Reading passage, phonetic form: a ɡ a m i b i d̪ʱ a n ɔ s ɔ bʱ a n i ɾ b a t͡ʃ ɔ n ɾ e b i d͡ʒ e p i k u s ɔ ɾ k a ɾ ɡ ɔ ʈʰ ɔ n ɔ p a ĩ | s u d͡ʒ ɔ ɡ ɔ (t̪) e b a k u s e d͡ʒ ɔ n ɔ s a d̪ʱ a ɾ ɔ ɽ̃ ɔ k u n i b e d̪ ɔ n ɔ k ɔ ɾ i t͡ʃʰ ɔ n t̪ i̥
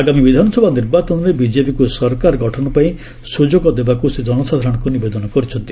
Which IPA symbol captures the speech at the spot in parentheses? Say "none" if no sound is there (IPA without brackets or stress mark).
d̪